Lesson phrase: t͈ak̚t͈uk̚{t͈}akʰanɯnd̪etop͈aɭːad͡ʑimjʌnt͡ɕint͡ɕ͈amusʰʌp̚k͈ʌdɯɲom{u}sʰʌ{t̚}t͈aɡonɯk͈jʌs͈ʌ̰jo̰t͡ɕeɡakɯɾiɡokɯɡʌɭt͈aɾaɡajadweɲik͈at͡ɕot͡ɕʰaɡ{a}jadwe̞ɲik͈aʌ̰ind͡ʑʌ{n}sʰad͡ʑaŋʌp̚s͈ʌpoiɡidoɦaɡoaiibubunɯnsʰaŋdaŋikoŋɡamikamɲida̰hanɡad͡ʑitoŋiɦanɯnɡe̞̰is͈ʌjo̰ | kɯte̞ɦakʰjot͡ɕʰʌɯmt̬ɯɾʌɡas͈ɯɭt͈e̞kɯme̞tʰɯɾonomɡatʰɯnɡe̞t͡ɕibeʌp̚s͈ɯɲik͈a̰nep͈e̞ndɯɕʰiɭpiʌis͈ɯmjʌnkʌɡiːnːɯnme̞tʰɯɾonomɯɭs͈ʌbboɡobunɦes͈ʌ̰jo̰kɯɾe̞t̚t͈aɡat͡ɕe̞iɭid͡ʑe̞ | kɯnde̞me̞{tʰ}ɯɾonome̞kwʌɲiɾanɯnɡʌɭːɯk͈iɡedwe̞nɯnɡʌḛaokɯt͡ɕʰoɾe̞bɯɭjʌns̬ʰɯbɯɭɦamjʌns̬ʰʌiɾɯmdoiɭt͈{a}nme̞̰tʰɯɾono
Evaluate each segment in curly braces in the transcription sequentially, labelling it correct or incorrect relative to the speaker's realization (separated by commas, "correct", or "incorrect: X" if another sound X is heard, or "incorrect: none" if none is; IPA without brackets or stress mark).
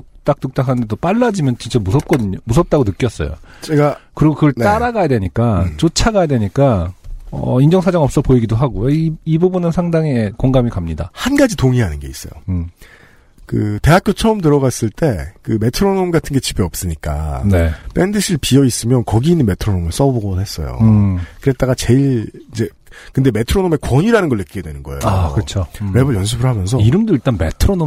correct, correct, incorrect: p̚, correct, incorrect: ŋ, correct, correct